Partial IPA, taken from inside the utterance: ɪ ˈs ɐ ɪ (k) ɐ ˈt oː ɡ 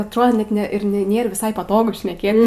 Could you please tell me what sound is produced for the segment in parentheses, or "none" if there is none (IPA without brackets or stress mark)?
p